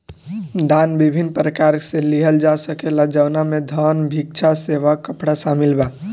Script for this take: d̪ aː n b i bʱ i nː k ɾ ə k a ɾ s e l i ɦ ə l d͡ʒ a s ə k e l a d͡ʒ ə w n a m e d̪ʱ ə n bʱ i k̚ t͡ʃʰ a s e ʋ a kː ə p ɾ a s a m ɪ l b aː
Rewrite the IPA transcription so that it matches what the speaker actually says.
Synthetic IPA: d̪ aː n b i bʱ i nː p ɾ ə k a ɾ s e l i ɦ ə l d͡ʒ a s ə k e l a d͡ʒ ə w n a m e d̪ʱ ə n bʱ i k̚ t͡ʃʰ a s e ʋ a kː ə p ɽ a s a m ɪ l b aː